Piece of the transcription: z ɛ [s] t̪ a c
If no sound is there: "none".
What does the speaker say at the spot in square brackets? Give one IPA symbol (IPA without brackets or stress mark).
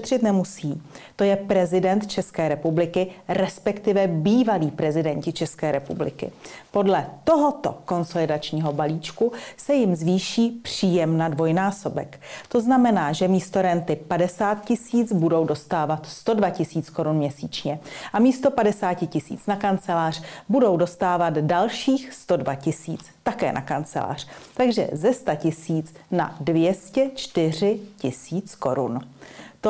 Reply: s